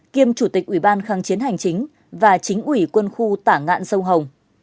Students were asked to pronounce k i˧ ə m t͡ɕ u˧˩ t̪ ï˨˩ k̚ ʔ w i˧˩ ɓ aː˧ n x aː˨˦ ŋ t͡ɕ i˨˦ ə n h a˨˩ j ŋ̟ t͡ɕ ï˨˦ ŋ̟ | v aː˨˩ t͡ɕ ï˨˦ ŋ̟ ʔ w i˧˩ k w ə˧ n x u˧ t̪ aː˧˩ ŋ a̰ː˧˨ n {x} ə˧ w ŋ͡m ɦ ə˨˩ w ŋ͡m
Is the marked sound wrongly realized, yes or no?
yes